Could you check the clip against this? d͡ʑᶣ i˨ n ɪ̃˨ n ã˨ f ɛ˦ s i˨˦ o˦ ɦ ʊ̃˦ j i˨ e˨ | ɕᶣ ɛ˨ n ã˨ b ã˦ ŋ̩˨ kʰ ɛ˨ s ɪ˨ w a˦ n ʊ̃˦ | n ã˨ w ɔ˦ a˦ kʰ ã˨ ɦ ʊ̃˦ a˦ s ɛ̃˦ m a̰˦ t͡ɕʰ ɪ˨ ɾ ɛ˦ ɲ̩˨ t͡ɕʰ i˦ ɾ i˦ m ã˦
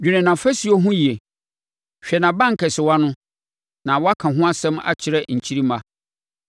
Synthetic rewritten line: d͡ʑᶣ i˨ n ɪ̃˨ n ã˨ f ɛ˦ s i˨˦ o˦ ɦ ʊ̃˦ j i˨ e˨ | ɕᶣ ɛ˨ n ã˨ b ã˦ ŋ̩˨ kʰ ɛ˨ s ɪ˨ w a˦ n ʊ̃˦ | n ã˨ w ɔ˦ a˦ kʰ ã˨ ɦ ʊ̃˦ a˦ s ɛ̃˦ m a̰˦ t͡ɕʰ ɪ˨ ɾ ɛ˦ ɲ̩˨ t͡ɕʰ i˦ ɾ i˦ m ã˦